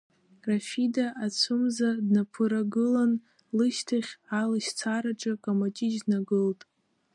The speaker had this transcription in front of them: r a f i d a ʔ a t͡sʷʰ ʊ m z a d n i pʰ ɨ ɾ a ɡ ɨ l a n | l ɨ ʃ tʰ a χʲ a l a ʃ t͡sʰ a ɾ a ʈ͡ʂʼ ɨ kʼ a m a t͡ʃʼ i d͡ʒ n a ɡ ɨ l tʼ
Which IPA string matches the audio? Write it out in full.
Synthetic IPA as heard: r a f i d a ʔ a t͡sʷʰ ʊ m z a d n a pʰ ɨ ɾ a ɡ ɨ l a n | l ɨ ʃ tʰ a χʲ a l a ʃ t͡sʰ a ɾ a ʈ͡ʂʼ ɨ kʼ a m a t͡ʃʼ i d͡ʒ n a ɡ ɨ l tʼ